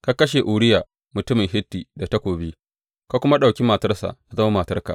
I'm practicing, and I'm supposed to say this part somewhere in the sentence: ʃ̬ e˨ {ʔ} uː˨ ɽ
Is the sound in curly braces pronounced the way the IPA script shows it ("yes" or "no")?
yes